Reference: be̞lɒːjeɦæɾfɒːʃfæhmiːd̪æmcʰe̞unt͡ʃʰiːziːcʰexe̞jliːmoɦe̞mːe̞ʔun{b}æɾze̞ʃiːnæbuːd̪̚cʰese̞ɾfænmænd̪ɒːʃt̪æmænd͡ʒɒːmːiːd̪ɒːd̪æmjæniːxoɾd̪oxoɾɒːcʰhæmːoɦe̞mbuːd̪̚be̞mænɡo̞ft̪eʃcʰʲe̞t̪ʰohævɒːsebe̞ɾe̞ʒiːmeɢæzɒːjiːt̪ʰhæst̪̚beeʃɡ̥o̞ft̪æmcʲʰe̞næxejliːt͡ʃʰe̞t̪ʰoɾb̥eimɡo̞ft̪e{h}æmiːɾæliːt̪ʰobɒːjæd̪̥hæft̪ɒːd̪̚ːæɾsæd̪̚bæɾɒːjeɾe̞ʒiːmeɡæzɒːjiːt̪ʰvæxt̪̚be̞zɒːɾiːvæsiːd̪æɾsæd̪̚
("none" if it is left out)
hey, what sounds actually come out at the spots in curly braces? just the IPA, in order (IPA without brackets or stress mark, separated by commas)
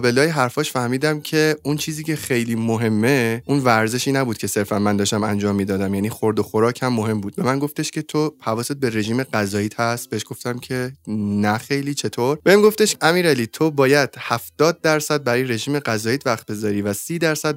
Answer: v, ʃ